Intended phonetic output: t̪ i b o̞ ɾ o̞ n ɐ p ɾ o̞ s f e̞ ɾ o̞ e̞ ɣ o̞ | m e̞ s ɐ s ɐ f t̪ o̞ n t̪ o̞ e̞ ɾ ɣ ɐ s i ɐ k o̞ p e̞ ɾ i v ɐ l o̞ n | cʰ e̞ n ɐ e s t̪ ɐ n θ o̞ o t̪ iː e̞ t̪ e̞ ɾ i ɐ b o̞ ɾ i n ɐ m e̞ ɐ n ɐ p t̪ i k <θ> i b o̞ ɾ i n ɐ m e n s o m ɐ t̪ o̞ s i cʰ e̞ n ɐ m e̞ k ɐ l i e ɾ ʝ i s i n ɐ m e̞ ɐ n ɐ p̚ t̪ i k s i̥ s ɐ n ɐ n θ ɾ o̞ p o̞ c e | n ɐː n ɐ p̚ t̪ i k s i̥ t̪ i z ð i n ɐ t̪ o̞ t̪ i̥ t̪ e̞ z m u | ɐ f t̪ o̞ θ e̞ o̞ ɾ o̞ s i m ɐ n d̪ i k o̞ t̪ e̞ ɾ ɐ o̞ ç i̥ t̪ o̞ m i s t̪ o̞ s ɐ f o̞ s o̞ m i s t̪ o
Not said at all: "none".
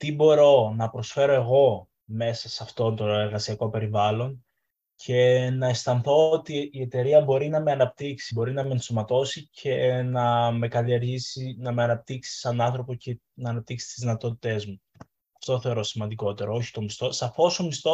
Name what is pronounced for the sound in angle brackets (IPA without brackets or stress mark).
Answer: s